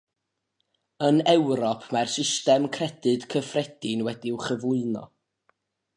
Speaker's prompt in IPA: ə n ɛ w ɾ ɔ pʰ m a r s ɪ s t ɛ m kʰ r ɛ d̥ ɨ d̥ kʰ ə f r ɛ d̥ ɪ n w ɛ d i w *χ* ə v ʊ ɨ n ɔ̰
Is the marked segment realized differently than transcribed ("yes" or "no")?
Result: no